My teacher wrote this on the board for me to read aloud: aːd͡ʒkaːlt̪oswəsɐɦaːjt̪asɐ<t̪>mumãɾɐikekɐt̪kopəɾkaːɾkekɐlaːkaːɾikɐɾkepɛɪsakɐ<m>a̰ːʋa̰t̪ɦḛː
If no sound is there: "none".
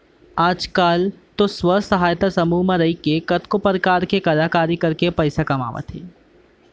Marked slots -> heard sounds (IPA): none, m

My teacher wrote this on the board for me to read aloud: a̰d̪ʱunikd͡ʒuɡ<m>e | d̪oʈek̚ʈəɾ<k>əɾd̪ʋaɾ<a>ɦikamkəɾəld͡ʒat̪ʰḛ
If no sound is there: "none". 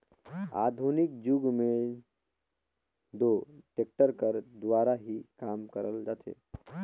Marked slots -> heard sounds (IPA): m, k, a

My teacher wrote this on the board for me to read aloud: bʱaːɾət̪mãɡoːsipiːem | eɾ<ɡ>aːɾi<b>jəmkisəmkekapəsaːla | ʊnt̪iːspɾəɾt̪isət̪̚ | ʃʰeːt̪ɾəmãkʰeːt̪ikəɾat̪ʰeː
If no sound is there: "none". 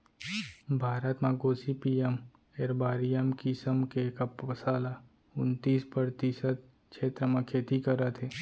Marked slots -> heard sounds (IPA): b, none

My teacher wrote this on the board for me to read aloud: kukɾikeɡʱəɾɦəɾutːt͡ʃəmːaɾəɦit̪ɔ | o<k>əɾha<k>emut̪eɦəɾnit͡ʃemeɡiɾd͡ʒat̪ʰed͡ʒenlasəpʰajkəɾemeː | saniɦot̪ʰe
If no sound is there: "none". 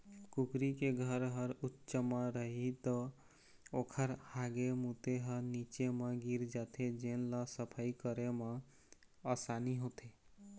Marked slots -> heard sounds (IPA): kʰ, ɡ

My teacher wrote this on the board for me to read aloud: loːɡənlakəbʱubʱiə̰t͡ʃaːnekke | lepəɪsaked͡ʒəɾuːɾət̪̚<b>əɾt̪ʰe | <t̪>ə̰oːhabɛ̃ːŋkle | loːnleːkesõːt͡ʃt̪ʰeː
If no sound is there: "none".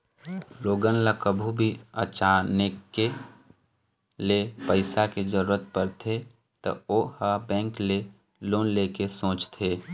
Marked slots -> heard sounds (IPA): p, t̪

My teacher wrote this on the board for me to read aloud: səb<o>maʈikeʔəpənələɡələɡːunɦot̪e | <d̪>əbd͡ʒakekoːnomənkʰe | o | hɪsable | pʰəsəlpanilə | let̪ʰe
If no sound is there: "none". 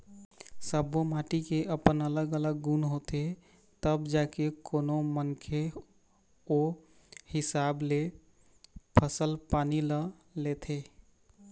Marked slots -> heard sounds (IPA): o, t̪

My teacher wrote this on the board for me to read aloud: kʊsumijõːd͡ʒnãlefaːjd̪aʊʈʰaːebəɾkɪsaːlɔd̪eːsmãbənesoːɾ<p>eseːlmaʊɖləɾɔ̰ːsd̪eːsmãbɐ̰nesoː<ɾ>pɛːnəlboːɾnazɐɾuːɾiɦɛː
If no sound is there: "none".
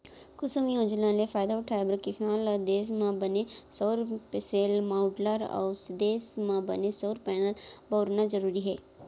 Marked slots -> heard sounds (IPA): p, ɾ

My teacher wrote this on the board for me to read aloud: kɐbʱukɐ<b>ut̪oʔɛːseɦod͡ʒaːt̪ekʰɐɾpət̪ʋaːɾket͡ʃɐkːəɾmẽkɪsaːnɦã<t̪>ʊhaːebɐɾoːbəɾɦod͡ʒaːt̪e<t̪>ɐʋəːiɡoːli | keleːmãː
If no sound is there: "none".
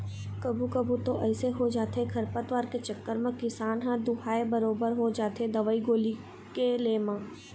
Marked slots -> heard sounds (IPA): b, d̪, d̪

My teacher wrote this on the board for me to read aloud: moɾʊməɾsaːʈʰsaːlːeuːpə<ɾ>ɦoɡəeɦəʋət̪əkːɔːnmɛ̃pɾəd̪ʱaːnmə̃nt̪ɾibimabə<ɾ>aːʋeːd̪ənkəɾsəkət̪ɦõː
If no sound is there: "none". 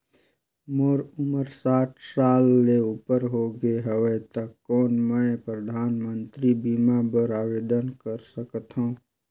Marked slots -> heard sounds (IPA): ɾ, ɾ

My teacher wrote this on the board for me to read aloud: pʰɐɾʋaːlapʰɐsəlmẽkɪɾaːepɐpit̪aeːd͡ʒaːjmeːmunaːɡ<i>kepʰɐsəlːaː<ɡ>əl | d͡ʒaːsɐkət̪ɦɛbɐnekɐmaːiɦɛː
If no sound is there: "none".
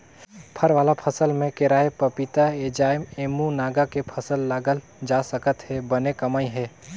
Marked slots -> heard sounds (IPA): a, ɡ

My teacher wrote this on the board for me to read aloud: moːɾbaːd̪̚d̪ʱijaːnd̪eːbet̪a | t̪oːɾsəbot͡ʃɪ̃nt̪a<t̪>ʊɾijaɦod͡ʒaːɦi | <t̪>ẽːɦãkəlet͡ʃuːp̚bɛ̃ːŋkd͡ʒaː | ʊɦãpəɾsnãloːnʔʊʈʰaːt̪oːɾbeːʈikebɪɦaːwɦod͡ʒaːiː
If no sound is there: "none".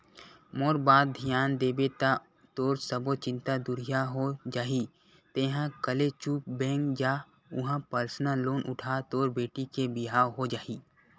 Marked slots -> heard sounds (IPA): d̪, t̪

